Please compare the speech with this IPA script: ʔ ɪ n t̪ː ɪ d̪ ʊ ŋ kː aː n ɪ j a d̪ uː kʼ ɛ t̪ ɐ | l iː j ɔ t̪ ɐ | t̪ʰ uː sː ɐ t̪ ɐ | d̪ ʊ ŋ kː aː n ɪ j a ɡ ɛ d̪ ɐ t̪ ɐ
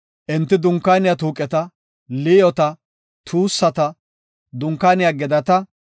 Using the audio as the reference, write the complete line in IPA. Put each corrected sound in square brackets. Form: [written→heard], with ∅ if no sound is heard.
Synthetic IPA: ʔ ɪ n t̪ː ɪ d̪ ʊ ŋ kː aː n ɪ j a [d̪→t̪] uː kʼ ɛ t̪ ɐ | l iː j ɔ t̪ ɐ | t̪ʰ uː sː ɐ t̪ ɐ | d̪ ʊ ŋ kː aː n ɪ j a ɡ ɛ d̪ ɐ t̪ ɐ